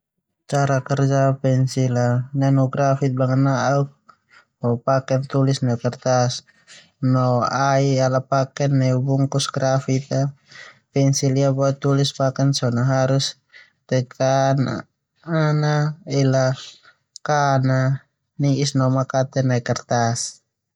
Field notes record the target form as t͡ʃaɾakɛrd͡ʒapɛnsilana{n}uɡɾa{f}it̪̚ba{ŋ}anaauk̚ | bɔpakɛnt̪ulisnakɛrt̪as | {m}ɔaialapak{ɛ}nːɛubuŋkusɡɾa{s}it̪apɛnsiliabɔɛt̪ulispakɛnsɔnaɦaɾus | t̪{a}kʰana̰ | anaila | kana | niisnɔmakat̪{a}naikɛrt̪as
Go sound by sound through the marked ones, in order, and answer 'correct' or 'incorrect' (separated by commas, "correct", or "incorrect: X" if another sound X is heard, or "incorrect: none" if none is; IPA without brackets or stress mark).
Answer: correct, correct, correct, incorrect: n, correct, incorrect: f, incorrect: ɛ, incorrect: ɛ